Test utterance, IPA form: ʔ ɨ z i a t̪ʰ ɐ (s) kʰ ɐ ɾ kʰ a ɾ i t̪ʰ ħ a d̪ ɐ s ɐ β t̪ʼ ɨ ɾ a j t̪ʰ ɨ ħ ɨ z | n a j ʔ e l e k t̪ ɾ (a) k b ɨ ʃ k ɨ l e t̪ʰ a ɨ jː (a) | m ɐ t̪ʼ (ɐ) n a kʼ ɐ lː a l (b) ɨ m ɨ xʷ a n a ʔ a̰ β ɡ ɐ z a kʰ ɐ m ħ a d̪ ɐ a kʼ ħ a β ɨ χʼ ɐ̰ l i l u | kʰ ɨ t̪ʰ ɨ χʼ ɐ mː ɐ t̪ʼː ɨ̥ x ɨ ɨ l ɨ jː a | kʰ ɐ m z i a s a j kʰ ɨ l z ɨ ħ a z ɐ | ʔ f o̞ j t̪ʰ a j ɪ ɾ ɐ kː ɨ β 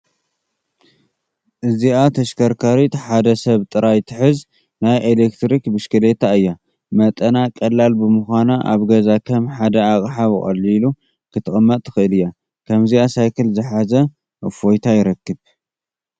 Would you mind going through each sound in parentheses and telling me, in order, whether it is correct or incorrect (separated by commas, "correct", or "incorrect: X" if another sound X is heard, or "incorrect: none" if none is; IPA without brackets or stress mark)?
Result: incorrect: ʃ, incorrect: i, correct, correct, correct